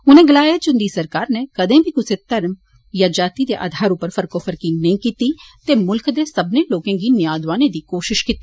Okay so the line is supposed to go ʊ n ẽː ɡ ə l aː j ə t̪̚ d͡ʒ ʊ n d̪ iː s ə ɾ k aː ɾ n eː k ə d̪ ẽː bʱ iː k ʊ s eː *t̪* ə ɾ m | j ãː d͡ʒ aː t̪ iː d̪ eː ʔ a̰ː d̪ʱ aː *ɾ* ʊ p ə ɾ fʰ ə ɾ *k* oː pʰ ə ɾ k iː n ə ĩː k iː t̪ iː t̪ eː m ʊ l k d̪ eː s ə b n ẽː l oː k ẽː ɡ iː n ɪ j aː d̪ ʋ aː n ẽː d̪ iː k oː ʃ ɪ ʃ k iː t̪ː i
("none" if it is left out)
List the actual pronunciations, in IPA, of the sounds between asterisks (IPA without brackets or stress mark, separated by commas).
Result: t̪, ɾ, k